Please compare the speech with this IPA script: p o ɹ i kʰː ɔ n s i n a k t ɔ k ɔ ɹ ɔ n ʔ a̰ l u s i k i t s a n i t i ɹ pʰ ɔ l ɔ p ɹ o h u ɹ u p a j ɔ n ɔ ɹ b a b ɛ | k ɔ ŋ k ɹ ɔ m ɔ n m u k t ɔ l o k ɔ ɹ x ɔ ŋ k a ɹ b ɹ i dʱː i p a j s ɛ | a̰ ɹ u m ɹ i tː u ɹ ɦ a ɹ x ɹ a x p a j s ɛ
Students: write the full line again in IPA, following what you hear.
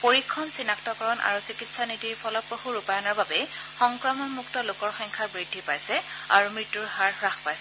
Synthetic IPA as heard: p o ɹ i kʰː ɔ n s i n a k t ɔ k ɔ ɹ ɔ n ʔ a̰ ɹ u s i k i t s a n i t i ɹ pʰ ɔ l ɔ p ɹ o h u ɹ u p a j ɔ n ɔ ɹ b a b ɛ | x ɔ ŋ k ɹ ɔ m ɔ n m u k t ɔ l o k ɔ ɹ x ɔ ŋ kʰ a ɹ b ɹ i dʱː i p a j s ɛ | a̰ ɹ u m ɹ i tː u ɹ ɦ a ɹ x ɹ a x p a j s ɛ